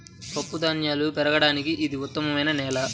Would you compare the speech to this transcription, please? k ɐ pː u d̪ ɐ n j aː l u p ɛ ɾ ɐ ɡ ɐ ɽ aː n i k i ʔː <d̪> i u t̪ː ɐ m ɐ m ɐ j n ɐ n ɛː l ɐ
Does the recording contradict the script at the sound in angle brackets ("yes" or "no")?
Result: no